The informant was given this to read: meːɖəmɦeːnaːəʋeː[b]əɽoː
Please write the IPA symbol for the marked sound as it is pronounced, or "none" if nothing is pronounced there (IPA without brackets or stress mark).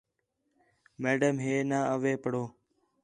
p